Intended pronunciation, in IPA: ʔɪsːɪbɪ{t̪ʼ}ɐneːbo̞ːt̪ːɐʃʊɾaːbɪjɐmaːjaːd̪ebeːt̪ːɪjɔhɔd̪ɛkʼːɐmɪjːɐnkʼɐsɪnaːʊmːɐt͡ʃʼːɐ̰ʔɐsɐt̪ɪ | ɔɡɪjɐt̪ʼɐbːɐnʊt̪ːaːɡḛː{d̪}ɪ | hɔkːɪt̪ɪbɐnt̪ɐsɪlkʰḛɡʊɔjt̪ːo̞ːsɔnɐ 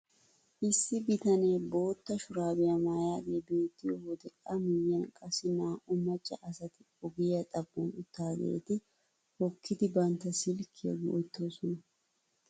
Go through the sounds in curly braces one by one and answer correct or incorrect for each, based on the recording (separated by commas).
incorrect, incorrect